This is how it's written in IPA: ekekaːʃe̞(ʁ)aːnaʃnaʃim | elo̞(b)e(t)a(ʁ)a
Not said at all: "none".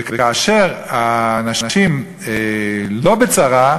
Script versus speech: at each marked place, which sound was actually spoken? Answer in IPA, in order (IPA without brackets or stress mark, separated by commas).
ʁ, b, t͡s, ʁ